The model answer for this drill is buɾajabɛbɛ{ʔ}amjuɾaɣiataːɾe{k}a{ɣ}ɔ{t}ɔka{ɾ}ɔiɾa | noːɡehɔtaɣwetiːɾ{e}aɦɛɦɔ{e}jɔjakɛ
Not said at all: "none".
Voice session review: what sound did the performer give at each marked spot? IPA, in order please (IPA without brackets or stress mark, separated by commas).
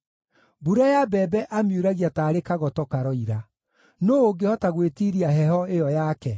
ʔ, k, ɣ, t, ɾ, i, e